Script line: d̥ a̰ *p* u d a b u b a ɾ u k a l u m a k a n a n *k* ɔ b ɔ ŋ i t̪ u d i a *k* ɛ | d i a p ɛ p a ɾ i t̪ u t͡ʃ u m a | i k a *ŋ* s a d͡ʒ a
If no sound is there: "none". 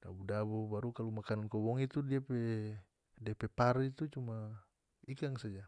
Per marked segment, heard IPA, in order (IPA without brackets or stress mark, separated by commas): b, k, p, ŋ